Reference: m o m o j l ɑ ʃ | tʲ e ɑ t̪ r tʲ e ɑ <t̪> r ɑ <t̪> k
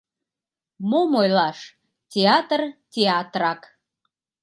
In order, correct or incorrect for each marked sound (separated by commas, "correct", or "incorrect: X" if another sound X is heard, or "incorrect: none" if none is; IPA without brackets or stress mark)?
correct, incorrect: none